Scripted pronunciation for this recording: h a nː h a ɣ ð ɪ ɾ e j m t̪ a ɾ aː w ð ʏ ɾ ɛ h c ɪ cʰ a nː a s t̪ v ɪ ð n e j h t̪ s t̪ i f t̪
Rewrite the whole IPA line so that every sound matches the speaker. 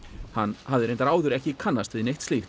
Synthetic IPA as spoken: h a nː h a v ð ɪ ɾ e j n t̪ a ɾ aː w ð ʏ ɾ ɛ h c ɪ kʰ a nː a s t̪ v ɪ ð n e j h t̪ s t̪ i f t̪